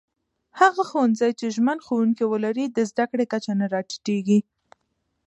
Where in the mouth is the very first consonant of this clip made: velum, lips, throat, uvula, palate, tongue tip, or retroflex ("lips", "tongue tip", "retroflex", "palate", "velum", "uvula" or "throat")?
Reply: throat